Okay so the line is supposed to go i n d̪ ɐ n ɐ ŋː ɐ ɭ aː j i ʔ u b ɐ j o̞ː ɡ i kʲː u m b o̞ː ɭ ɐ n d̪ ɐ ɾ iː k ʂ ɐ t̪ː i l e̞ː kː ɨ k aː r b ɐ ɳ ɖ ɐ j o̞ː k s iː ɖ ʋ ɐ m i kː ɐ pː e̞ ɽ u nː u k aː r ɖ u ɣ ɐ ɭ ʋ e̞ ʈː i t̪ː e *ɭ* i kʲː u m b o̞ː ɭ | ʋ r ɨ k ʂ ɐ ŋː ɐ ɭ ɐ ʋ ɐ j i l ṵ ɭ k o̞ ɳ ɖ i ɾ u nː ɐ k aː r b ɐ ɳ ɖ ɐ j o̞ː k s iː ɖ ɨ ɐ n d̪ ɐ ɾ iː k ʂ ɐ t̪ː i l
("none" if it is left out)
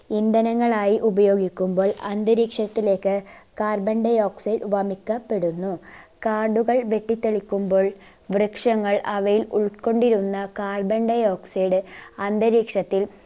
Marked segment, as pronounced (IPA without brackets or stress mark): ɭ